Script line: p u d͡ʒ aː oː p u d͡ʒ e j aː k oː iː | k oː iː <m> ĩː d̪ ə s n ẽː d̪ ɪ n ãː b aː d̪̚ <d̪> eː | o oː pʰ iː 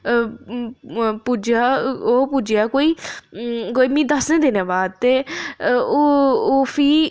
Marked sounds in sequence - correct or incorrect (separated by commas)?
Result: correct, incorrect